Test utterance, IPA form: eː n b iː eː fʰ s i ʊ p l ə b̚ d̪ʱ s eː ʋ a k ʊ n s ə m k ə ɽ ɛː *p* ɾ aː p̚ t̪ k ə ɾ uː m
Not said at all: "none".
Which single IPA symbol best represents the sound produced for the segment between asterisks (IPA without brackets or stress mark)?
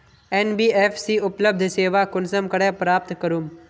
p